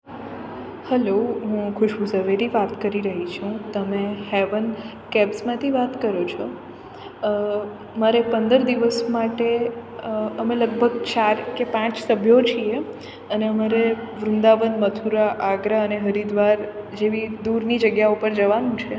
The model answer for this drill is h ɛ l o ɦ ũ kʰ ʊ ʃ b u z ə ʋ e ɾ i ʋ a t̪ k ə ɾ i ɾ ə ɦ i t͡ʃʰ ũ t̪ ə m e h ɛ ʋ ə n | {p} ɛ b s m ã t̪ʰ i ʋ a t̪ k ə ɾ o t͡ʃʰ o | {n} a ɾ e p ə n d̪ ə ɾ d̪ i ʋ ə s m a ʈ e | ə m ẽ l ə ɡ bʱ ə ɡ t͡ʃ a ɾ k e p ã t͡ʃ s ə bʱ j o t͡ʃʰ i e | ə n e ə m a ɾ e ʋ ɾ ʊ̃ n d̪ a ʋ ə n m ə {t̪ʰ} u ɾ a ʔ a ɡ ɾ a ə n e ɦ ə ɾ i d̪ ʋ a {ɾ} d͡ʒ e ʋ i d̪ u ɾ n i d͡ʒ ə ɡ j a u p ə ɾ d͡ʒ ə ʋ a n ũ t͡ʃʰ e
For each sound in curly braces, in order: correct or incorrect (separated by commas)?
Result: incorrect, incorrect, correct, correct